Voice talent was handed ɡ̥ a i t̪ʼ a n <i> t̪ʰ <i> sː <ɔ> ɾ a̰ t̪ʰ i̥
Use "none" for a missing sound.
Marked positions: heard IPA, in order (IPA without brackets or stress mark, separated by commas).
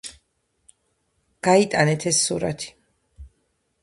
ɛ, ɛ, u